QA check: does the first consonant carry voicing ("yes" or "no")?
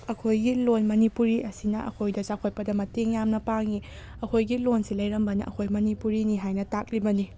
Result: no